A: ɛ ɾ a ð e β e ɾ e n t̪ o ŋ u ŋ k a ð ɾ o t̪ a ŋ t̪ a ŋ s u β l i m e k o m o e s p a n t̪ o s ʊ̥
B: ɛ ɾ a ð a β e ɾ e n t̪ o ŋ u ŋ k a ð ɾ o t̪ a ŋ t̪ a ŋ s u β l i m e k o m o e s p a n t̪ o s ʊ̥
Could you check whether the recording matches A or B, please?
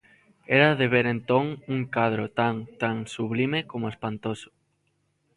A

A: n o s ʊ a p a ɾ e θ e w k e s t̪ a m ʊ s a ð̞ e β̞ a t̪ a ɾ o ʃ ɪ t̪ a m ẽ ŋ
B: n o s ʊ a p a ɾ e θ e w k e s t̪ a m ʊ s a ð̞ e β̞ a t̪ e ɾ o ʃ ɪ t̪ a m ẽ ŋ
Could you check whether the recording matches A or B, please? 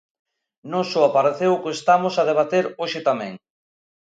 B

